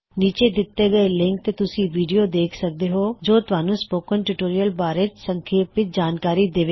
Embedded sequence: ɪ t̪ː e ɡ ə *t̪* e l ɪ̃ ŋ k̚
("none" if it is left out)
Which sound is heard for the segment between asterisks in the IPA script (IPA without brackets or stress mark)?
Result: none